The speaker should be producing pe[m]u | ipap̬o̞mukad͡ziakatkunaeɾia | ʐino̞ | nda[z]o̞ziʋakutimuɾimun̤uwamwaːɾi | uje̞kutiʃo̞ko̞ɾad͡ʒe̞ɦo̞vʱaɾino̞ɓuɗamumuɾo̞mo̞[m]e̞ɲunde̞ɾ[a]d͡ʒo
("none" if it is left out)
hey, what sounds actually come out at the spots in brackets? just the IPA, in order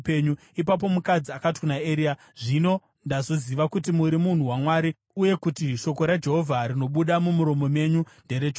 ɲ, z, m, e

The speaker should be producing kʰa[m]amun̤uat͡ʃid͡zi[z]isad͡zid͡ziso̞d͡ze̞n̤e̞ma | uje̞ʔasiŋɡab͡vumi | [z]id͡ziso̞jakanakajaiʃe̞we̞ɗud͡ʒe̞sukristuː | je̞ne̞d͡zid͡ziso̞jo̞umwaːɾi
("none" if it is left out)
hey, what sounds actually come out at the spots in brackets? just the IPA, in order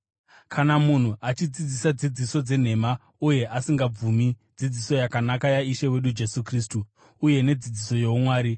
n, d͡z, d͡z

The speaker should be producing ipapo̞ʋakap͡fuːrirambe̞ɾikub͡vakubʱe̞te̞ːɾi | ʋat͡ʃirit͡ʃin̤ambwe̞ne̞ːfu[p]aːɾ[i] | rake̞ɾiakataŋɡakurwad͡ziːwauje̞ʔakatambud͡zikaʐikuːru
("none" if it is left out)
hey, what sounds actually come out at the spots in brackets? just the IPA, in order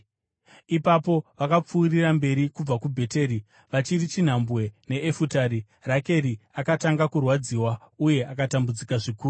t, i

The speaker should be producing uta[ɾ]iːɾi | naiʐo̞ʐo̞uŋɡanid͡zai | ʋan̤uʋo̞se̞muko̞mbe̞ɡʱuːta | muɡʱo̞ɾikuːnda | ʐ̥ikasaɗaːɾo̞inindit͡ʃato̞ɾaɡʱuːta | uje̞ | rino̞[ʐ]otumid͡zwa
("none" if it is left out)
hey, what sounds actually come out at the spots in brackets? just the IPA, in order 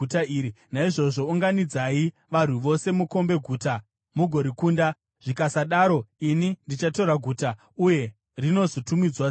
none, z

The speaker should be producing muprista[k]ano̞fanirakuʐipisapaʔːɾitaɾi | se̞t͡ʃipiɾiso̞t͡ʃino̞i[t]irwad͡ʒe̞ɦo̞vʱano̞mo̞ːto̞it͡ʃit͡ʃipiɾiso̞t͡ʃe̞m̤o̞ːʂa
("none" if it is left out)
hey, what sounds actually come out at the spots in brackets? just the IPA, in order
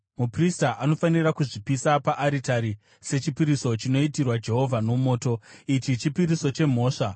ʔ, t

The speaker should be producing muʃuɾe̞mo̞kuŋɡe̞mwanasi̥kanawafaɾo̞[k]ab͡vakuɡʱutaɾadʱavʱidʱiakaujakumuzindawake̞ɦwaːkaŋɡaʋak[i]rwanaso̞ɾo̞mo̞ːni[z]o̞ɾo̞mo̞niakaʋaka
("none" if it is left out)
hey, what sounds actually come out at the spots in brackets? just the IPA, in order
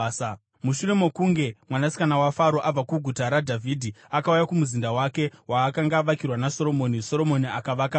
ʔ, i, s

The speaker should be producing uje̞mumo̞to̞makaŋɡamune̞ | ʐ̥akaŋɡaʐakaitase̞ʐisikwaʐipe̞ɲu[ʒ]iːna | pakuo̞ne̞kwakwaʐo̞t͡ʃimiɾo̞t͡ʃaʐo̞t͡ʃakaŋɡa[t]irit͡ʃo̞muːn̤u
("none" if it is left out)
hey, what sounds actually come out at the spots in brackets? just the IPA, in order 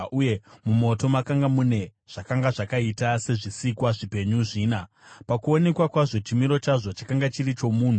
ʐ, t͡ʃ

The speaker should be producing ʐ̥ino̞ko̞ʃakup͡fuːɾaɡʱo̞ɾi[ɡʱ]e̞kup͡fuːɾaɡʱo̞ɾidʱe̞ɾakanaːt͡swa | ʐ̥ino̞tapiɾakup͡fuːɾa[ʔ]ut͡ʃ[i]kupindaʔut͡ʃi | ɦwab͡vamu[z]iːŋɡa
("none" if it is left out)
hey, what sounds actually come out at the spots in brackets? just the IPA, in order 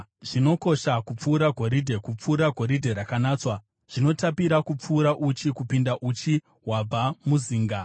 dʱ, ʔ, i, z

